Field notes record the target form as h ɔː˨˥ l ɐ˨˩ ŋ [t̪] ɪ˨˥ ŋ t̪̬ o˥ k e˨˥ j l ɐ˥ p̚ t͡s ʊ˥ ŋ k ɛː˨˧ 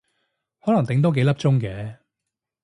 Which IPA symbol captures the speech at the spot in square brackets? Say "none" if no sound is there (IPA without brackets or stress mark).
t̪